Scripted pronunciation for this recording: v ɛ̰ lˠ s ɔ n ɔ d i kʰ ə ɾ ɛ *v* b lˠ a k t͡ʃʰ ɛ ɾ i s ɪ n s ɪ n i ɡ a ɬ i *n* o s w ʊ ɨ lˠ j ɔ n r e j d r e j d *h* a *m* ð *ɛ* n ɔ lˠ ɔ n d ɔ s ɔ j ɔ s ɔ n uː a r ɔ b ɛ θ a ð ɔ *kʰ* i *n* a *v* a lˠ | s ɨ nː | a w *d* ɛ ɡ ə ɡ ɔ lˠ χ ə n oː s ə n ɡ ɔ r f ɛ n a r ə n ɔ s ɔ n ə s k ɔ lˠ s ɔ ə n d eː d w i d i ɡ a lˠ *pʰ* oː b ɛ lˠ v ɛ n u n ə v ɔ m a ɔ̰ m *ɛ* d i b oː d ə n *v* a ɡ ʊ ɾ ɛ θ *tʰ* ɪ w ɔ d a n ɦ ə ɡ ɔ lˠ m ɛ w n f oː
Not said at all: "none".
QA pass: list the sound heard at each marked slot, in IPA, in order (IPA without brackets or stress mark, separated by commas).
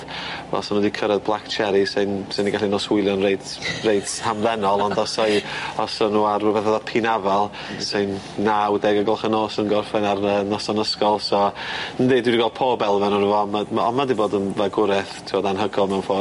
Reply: ð, n, h, m, ɛ, pʰ, n, v, d, pʰ, a, v, tʰ